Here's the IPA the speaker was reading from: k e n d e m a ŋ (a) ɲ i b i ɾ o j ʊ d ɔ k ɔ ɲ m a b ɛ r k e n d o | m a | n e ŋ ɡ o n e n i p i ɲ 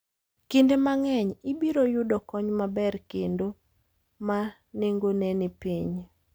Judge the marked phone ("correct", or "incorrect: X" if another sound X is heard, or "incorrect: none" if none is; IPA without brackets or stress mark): incorrect: ɛ